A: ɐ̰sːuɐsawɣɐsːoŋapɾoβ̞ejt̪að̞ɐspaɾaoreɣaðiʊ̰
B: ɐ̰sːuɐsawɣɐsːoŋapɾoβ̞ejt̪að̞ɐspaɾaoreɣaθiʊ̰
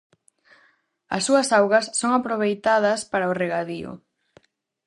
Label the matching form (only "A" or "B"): A